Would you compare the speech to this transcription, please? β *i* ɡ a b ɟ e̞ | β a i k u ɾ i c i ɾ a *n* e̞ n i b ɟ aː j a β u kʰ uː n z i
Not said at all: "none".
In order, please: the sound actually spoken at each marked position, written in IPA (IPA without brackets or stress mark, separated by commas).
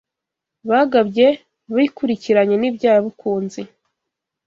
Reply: a, ɲ